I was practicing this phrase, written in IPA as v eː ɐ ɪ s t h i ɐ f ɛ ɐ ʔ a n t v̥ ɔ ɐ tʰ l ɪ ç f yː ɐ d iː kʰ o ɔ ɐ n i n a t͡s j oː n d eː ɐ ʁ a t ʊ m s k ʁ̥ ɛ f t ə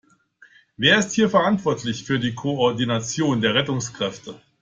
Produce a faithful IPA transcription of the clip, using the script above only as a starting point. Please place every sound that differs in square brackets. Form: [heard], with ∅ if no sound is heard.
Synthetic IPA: v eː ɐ ɪ s t h [iː] ɐ f ɛ ɐ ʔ a n t v̥ ɔ ɐ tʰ l ɪ ç f yː ɐ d iː kʰ o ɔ ɐ [d] i n a t͡s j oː n d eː ɐ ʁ [ɛ] t ʊ [ŋ] s k ʁ̥ ɛ f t ə